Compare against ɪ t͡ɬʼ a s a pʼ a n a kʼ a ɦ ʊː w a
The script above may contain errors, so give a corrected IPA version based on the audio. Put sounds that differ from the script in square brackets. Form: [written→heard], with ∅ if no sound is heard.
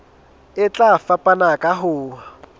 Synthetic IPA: ɪ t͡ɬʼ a [s→f] a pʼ a n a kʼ a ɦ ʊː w a